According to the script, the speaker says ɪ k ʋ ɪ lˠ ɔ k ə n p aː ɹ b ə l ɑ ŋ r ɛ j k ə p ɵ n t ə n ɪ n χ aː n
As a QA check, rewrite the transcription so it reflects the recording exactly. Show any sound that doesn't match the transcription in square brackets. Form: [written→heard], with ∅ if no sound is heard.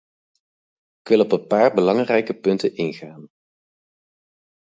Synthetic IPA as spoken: ɪ k ʋ ɪ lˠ ɔ [k→p] ə n p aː ɹ b ə l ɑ ŋ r ɛ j k ə p ɵ n t ə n ɪ n χ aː n